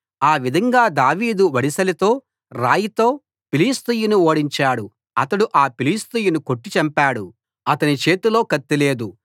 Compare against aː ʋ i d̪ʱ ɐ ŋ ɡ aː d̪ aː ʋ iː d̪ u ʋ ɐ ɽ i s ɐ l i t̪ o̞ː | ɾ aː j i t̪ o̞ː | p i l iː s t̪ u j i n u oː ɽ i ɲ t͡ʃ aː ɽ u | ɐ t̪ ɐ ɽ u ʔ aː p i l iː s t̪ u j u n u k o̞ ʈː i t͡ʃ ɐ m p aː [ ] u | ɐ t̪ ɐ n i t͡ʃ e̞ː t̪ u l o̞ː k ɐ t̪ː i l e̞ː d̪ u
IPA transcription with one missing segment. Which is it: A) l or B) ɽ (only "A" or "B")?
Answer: B